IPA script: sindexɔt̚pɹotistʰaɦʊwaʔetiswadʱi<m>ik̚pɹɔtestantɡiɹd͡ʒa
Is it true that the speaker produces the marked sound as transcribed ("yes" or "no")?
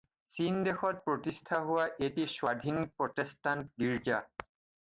no